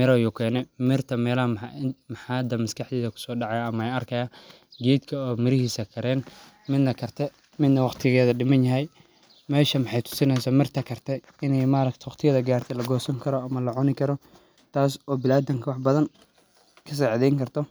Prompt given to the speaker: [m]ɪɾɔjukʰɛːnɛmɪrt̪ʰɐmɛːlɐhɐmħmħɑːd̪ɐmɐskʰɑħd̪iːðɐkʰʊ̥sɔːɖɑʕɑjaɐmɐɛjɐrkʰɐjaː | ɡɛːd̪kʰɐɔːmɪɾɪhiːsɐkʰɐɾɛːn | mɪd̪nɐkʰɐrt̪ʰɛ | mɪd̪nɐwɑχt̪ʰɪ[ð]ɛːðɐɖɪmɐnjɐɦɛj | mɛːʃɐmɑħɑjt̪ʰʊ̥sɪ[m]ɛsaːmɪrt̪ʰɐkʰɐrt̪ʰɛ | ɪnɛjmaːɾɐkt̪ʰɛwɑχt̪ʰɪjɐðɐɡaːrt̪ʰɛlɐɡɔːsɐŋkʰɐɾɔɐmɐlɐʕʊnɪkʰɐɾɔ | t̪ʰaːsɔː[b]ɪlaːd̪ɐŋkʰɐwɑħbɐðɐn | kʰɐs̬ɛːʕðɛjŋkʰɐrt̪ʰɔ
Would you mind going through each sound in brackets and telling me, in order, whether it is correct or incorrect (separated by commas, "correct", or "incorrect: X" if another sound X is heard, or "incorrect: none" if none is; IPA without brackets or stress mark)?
correct, incorrect: ɣ, incorrect: n, correct